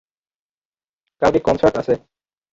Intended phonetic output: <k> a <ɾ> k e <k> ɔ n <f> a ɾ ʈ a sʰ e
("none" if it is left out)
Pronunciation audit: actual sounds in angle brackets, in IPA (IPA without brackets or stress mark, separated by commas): k, l, k, s